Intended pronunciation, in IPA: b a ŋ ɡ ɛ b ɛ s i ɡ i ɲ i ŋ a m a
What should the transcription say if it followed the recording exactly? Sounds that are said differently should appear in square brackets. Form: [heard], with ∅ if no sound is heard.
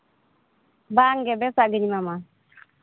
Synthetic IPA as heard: b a ŋ ɡ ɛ b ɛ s [a] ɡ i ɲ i [m] a m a